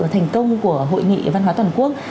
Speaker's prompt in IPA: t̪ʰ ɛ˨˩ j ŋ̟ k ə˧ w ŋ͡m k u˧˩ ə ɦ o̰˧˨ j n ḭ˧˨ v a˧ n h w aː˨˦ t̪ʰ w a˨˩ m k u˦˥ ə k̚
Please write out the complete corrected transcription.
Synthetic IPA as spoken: t̪ʰ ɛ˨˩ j ŋ̟ k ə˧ w ŋ͡m k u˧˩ ə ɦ o̰˧˨ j ŋ ḭ˧˨ v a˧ n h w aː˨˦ t̪ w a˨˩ n k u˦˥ ə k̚

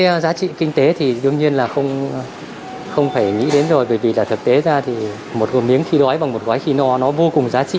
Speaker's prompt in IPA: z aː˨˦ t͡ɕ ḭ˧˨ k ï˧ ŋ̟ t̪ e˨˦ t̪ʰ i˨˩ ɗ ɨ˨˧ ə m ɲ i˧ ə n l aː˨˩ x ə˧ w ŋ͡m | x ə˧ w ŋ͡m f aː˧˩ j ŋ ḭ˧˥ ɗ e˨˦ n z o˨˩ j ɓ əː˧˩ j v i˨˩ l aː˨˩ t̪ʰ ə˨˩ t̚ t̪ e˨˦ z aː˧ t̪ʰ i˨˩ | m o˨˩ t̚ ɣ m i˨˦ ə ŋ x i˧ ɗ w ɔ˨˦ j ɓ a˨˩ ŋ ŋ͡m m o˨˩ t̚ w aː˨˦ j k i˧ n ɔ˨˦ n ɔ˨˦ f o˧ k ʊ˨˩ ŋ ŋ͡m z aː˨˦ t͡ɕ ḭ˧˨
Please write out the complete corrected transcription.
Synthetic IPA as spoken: z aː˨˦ t͡ɕ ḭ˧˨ k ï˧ ŋ̟ t̪ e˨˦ t̪ʰ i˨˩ ɗ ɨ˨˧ ə ŋ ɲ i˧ ə n l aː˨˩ x ə˧ w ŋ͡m | x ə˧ w ŋ͡m f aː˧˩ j ŋ ḭ˧˥ ɗ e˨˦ n z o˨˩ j ɓ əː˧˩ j v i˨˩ l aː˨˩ t̪ʰ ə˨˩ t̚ t̪ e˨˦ z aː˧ t̪ʰ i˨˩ | m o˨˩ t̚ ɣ m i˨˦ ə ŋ x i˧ ɗ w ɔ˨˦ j ɓ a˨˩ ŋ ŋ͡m m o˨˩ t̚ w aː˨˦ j x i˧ n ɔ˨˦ n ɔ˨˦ v o˧ k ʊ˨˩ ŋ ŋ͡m z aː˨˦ t͡ɕ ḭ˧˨

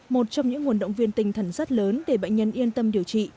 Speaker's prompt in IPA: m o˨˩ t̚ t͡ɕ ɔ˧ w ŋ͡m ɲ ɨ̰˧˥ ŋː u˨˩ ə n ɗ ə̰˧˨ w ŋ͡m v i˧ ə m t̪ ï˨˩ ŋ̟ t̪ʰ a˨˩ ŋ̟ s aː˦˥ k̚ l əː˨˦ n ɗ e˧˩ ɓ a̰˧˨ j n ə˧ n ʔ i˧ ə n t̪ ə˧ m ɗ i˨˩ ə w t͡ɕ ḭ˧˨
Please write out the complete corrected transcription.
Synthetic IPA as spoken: m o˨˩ t̚ t͡ɕ ɔ˧ w ŋ͡m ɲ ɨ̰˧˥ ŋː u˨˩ ə n ɗ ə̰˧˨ w ŋ͡m v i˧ ə n t̪ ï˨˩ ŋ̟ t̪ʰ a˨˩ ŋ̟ s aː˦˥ t̚ l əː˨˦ n ɗ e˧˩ ɓ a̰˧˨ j ɲ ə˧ n ʔ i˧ ə n t̪ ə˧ m ɗ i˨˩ ə w t͡ɕ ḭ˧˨

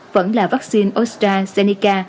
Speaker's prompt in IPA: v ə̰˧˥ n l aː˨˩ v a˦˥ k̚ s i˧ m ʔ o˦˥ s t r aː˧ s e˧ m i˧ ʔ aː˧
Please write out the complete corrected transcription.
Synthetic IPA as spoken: v ə̰˧˥ n l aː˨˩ v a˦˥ k̚ s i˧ n ʔ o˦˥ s t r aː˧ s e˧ n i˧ k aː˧

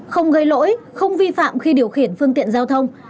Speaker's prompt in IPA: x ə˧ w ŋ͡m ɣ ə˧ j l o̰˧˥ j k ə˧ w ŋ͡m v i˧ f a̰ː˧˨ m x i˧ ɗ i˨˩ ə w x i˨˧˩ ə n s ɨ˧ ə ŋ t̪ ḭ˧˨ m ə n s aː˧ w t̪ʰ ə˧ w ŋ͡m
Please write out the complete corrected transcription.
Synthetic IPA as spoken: x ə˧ w ŋ͡m ɣ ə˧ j l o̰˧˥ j x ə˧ w ŋ͡m v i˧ f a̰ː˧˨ m x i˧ ɗ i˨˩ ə w x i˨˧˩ ə n f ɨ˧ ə ŋ t̪ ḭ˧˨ ə n z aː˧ w t̪ʰ ə˧ w ŋ͡m

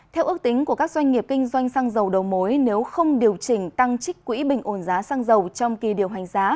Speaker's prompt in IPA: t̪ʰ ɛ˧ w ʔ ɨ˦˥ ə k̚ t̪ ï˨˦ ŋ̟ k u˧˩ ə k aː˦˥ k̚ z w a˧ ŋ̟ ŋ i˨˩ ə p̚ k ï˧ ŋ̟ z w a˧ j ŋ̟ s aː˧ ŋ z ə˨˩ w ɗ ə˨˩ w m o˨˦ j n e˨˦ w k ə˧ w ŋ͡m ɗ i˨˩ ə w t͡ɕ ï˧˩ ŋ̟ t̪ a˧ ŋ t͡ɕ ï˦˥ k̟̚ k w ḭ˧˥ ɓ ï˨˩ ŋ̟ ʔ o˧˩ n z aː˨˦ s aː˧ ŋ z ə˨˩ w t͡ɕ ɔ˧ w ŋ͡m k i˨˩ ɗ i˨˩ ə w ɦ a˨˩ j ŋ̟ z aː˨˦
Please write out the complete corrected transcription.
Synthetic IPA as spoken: t̪ʰ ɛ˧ w ʔ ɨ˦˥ ə k̚ t̪ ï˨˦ ŋ̟ k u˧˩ ə k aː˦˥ k̚ z w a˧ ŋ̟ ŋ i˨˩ ə p̚ k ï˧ ŋ̟ z w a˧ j ŋ̟ s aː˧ ŋ z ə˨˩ w ɗ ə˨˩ w m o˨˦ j n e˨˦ w x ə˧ w ŋ͡m ɗ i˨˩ ə w t͡ɕ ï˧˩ ŋ̟ t̪ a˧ ŋ t͡ɕ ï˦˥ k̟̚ k w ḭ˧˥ ɓ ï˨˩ ŋ̟ ʔ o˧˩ n z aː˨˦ s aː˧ ŋ z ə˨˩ w t͡ɕ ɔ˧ w ŋ͡m k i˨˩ ɗ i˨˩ ə w ɦ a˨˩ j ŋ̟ z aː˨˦

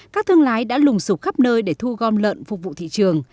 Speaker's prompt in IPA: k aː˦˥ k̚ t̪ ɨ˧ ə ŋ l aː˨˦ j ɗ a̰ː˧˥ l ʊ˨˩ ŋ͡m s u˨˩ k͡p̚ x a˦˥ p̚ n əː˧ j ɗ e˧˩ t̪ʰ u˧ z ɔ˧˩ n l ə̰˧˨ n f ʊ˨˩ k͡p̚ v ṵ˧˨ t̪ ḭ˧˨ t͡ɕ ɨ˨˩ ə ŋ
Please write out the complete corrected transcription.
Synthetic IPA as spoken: k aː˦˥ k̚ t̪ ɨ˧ ə ŋ l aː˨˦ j ɗ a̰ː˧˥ l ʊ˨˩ ŋ͡m s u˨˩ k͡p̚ x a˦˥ p̚ n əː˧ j ɗ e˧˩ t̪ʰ u˧ ɣ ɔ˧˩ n l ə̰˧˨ n f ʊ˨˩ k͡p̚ v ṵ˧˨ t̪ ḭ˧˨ t͡ɕ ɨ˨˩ ə ŋ

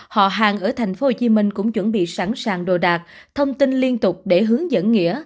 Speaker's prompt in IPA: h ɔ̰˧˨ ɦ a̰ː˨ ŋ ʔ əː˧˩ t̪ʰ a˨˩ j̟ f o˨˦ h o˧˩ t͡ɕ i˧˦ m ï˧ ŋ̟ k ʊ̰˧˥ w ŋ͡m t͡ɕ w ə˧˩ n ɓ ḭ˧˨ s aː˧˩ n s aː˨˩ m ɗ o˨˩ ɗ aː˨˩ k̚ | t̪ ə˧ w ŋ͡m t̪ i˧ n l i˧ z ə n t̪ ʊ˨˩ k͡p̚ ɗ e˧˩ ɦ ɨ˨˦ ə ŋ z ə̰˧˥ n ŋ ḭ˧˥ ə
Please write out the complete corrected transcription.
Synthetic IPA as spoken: h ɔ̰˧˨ ɦ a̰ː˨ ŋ ʔ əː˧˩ t̪ʰ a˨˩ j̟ f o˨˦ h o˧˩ t͡ɕ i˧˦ m ï˧ ŋ̟ k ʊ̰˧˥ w ŋ͡m t͡ɕ w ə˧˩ n ɓ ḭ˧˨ s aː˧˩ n s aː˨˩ ŋ ɗ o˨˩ ɗ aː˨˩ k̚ | t̪ʰ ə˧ w ŋ͡m t̪ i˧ n l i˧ ə n t̪ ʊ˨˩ k͡p̚ ɗ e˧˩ ɦ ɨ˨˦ ə ŋ z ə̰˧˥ n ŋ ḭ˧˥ ə

